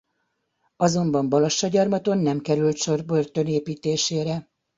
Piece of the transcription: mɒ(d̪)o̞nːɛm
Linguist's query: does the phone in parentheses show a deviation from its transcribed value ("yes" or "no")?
yes